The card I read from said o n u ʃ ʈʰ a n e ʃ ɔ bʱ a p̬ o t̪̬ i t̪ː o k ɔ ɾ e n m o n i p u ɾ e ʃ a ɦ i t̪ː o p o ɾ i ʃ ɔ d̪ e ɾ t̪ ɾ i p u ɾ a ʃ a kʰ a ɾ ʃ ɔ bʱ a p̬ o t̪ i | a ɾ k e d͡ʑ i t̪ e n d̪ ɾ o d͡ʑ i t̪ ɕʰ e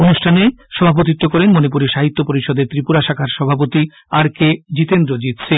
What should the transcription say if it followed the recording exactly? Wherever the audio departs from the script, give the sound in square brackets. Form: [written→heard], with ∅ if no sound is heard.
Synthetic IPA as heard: o n u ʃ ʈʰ a n e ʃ ɔ bʱ a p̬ o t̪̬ i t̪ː o k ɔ ɾ e n m o n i p u ɾ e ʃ a ɦ i t̪ː o p o ɾ i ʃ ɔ d̪ e ɾ t̪ ɾ i p u ɾ a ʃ a kʰ a ɾ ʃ ɔ bʱ a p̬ o t̪ i | a ɾ k e d͡ʑ i t̪ e n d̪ ɾ o d͡ʑ i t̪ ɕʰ e